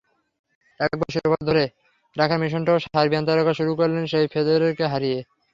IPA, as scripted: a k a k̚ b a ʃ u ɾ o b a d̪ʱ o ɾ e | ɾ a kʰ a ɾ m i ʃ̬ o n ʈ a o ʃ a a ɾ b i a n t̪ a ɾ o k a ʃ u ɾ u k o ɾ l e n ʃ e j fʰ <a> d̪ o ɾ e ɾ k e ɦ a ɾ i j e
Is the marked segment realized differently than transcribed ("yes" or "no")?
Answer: yes